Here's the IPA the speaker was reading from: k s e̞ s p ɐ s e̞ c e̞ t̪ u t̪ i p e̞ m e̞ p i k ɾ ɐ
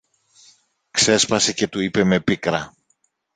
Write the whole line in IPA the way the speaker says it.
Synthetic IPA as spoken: k s e̞ s p ɐ s e̞ c e̞ t̪ u i p e̞ m e̞ p i k ɾ ɐ